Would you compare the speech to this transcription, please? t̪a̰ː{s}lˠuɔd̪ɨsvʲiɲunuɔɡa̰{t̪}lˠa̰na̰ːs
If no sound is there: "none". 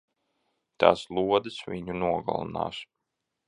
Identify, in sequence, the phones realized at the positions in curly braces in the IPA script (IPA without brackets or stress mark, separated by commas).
s, none